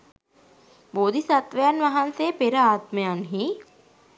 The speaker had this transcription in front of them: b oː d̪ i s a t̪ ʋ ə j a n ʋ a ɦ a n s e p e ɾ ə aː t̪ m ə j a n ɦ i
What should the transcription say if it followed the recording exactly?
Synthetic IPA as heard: b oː d̪ i s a t̪ ʋ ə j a n ʋ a ɦ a n s e p e ɾ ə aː t̪ m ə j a n ɦ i

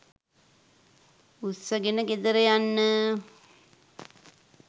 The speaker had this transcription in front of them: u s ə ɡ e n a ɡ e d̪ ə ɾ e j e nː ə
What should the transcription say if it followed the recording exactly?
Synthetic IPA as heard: u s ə ɡ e n ə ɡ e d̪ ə ɾ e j a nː ə

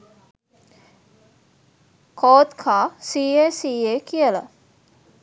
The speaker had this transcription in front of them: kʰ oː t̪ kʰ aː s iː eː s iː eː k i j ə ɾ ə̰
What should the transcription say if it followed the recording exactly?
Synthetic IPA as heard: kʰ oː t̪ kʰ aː s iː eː s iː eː k i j ə l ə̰

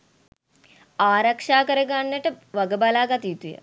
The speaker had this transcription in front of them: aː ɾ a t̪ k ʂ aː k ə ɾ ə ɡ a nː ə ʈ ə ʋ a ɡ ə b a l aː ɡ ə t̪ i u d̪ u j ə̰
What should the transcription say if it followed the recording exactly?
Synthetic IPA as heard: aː ɾ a k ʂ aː k ə ɾ ə ɡ a nː ə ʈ ə ʋ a ɡ ə b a l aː ɡ a t̪ i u t̪ u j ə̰

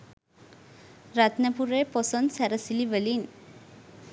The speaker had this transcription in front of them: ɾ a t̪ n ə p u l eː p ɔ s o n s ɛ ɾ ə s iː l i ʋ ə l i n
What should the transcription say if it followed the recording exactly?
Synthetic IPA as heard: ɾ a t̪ n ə p u ɾ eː p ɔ s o n s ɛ ɾ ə s i l i ʋ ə l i n

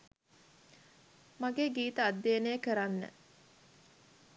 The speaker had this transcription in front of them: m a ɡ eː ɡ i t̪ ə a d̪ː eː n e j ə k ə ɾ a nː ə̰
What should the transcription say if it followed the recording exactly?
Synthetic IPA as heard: m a ɡ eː ɡ iː t̪ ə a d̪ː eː n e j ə k ə ɾ a nː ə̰

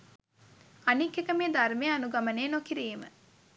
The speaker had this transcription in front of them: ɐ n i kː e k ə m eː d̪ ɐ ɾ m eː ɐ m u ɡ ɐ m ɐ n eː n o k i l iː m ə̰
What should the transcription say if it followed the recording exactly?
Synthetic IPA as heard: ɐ n i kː e k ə m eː d̪ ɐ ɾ m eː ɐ n u ɡ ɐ m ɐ n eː n o k i ɾ iː m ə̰

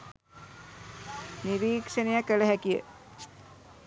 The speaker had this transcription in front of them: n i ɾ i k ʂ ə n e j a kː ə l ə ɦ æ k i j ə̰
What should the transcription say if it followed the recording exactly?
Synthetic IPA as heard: n i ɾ iː k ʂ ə n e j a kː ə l ə ɦ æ k i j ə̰

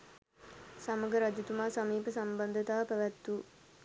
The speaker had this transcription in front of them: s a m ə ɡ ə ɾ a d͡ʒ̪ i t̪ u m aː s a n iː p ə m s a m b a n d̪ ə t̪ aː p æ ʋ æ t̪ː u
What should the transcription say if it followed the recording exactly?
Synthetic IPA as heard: s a m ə ɡ ə ɾ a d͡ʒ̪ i t̪ u m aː s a m iː p ə s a m b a n d̪ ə t̪ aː p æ ʋ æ t̪ː u

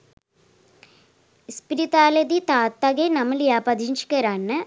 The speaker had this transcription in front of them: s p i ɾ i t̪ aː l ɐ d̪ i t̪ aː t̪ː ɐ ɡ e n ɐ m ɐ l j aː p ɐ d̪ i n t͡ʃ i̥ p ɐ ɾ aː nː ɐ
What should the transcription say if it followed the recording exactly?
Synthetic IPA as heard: s p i ɾ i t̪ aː l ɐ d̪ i t̪ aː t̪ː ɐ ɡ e n ɐ m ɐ l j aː p ɐ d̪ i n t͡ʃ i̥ k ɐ ɾ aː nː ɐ

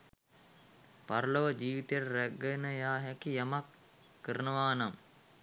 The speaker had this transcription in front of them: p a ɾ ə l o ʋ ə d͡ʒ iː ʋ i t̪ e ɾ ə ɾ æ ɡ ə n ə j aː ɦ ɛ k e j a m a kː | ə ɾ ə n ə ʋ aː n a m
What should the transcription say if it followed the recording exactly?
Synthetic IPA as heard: p a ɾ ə l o ʋ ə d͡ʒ iː ʋ i t̪ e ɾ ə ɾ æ ɡ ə n ə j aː ɦ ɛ k i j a m a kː | ə ɾ ə n ə ʋ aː n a m

